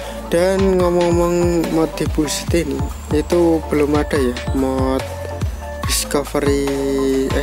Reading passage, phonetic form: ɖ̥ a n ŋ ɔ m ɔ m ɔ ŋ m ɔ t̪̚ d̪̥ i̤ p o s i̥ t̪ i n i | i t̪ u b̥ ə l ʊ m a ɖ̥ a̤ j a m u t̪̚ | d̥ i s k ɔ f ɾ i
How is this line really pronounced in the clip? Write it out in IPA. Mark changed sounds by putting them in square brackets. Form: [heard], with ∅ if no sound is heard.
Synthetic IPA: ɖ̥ a n ŋ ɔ m ɔ m ɔ ŋ m ɔ t̪̚ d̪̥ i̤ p [u] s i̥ t̪ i n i | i t̪ u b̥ ə l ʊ m a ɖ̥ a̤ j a m [ɔ] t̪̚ | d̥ i s k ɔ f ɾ i